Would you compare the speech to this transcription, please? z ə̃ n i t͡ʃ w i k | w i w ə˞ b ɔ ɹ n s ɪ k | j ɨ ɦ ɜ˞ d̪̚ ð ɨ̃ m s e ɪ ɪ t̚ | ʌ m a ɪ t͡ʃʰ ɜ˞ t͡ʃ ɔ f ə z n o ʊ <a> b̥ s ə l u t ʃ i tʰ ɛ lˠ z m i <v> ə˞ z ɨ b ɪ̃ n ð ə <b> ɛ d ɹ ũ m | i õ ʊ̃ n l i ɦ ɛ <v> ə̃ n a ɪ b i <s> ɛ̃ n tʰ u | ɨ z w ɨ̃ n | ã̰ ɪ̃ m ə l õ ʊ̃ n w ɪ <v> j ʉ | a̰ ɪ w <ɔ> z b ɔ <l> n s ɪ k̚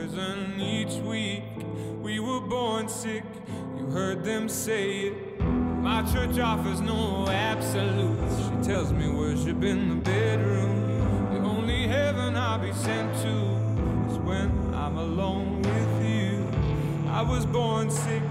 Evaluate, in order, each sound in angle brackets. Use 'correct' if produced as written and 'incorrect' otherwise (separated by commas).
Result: incorrect, incorrect, correct, correct, correct, incorrect, incorrect, incorrect